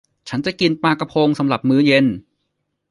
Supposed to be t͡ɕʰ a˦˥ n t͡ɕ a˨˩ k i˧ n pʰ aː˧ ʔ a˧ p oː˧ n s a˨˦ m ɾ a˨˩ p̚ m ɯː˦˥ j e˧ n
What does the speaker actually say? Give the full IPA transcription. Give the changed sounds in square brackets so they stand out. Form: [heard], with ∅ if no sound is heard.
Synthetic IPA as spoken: t͡ɕʰ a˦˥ n t͡ɕ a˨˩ k i˧ n [p] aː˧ [k] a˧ [pʰ] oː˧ [ŋ] s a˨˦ m ɾ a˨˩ p̚ m ɯː˦˥ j e˧ n